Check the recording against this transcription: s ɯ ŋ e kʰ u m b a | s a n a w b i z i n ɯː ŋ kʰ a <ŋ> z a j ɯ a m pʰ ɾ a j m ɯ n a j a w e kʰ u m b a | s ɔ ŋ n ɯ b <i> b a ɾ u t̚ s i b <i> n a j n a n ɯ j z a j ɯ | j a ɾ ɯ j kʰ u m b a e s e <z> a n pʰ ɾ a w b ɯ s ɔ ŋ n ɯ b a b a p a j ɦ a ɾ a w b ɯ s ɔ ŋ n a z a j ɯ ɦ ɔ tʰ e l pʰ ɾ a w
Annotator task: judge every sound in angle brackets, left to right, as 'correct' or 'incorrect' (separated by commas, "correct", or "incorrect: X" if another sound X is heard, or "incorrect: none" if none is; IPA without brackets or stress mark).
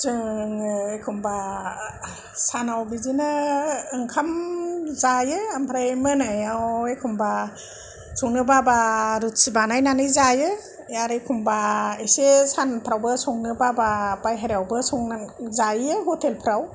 incorrect: m, incorrect: a, incorrect: a, incorrect: s